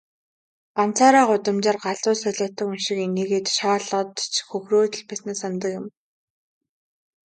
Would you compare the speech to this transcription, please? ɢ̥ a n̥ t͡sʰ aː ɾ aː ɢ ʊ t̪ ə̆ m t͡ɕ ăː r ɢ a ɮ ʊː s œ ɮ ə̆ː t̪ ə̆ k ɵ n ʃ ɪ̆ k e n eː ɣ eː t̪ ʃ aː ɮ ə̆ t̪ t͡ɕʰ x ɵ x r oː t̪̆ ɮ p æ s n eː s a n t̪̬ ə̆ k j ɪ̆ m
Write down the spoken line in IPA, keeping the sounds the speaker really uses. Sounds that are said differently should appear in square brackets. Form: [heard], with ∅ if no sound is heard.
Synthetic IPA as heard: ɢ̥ a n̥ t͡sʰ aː ɾ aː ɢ ʊ t̪ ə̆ m t͡ɕ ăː r ɢ a ɮ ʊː s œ ɮ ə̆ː t̪ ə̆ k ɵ n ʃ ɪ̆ k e n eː ɣ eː t̪ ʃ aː ɮ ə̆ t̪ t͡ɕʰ x ɵ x r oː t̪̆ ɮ p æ s n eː s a n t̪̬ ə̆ k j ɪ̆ m